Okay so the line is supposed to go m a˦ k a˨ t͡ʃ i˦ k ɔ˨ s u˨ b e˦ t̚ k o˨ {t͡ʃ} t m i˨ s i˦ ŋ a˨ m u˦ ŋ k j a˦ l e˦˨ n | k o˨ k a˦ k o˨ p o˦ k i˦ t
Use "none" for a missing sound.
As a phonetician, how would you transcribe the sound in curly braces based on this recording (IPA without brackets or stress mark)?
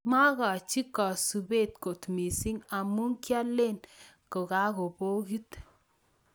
none